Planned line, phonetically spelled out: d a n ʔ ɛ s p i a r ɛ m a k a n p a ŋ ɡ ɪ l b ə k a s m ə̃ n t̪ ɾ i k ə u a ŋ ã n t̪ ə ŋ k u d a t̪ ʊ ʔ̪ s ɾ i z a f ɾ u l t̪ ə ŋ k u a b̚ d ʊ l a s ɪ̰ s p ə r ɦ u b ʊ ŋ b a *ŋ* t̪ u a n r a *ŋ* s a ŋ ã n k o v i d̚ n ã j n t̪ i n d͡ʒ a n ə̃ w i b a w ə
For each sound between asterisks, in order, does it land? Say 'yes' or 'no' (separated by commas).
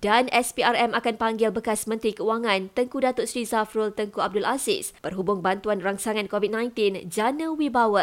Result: no, yes